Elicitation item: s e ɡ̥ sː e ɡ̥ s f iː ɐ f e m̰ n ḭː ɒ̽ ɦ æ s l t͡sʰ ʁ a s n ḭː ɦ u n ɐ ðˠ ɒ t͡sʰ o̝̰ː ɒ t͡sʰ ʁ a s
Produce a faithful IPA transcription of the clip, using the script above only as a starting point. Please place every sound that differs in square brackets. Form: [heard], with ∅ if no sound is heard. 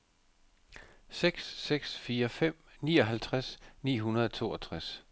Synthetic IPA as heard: s e ɡ̥ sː e ɡ̥ s f iː ɐ f e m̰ n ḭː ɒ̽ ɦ æ [∅] l t͡sʰ ʁ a s n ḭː ɦ u n ɐ ðˠ ɒ t͡sʰ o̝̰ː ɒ t͡sʰ ʁ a s